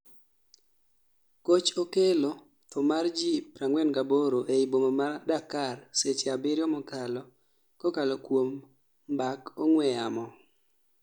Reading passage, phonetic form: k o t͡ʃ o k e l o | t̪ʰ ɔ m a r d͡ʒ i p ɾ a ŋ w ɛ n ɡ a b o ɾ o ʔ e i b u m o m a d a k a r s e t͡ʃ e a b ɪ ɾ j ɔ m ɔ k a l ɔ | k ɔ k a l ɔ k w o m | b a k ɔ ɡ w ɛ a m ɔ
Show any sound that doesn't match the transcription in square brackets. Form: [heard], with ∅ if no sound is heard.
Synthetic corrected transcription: k o t͡ʃ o k e l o | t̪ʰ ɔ m a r d͡ʒ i p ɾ a ŋ w ɛ n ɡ a b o ɾ o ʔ e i b [o] m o m a d a k a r s e t͡ʃ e a b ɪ ɾ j ɔ m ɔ k a l ɔ | k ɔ k a l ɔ k w o m | b a k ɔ [ŋ] w ɛ a m ɔ